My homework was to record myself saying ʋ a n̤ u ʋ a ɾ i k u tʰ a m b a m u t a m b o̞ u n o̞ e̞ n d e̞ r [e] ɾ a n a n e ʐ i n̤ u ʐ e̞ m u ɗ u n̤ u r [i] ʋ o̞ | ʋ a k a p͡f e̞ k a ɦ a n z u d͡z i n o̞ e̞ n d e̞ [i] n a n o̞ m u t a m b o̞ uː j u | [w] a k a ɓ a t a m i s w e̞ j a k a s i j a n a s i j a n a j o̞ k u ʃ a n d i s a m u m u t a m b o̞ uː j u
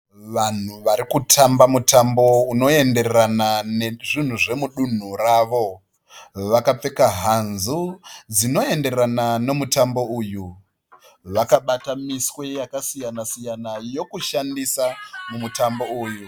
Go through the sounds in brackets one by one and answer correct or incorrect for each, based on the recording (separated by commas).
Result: correct, incorrect, incorrect, incorrect